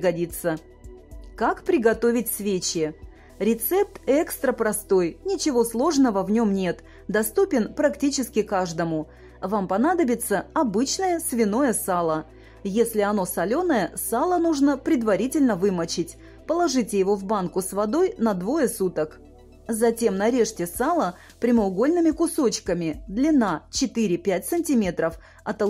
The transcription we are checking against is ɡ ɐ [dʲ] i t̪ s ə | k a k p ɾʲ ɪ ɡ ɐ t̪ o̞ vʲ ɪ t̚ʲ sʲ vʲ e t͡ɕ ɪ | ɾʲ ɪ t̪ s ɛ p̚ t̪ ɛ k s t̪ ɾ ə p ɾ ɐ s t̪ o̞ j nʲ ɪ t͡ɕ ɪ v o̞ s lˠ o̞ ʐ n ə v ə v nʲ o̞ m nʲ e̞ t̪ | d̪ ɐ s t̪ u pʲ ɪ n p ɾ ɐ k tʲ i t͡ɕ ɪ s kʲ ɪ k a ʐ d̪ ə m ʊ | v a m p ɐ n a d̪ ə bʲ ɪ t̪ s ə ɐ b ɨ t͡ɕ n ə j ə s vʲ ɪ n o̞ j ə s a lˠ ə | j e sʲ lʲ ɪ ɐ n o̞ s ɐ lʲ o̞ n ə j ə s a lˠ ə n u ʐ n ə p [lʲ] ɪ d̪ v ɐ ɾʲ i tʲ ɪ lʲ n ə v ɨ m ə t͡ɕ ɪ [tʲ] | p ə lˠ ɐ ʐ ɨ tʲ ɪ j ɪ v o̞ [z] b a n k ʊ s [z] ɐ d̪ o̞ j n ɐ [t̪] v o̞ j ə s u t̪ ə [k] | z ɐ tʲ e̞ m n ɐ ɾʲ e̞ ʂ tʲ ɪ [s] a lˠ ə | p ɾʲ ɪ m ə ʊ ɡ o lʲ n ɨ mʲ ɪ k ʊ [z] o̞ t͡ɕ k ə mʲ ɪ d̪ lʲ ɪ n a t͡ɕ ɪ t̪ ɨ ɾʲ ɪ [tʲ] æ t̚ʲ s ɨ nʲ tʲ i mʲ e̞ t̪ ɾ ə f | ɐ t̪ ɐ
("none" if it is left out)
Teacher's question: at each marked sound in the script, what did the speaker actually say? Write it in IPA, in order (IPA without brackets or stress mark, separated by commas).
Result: dʲ, ɾʲ, tʲ, v, v, d̪, k, s, s, pʲ